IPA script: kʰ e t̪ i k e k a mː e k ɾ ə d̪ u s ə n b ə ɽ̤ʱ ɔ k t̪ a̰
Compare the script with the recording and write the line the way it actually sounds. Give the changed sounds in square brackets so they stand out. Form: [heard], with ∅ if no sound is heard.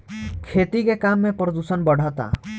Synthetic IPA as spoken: kʰ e t̪ i k e k a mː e [p] ɾ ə d̪ u s ə n b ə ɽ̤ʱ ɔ [∅] t̪ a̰